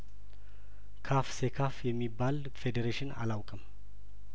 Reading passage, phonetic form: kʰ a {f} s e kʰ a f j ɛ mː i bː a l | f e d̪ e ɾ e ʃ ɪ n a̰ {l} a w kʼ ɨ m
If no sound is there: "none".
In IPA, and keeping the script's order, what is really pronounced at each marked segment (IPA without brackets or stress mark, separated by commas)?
f, l